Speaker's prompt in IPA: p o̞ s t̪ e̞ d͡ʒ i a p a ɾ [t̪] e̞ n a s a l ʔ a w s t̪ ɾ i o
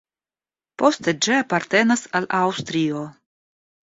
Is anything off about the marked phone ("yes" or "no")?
no